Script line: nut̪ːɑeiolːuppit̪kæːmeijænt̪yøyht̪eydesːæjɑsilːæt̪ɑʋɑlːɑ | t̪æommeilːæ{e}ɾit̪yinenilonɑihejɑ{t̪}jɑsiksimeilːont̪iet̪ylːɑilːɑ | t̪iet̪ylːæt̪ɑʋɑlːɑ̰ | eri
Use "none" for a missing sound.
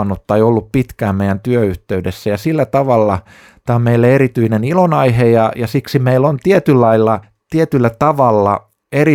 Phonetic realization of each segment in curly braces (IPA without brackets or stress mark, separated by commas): e, none